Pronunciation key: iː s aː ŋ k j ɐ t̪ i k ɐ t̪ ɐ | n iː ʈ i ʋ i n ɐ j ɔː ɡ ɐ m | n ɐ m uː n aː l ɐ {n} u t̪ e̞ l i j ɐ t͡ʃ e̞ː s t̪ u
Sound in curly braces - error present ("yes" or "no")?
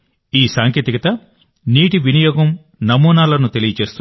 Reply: no